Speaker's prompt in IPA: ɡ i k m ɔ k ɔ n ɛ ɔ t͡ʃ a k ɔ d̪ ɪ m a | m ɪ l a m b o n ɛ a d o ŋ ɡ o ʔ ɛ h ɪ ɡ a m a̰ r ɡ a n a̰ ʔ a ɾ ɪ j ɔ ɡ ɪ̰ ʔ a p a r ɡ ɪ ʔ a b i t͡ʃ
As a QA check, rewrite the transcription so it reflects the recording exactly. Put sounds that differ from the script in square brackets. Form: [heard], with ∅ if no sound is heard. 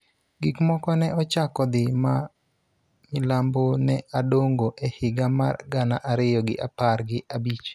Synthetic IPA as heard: ɡ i k m ɔ k ɔ n ɛ ɔ t͡ʃ a k ɔ d̪ ɪ m a | m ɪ l a m b o n ɛ a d o ŋ ɡ o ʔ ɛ h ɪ ɡ a m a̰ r ɡ a n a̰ ʔ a ɾ ɪ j ɔ ɡ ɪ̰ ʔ a p a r ɡ ɪ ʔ a b i t͡ʃ